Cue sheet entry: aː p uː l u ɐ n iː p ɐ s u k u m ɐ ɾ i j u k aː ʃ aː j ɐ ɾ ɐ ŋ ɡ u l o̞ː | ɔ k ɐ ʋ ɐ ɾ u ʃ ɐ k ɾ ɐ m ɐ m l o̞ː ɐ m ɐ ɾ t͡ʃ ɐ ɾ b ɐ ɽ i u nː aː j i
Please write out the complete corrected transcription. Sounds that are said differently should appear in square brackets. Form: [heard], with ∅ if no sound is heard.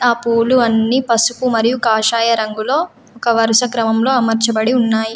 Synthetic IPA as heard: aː p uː l u ɐ [nː] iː p ɐ s u k u m ɐ ɾ i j u k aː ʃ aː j ɐ ɾ ɐ ŋ ɡ u l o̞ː | ɔ k ɐ ʋ ɐ ɾ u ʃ ɐ k ɾ ɐ m ɐ m l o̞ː ɐ m ɐ ɾ t͡ʃ ɐ [∅] b ɐ ɽ i u nː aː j i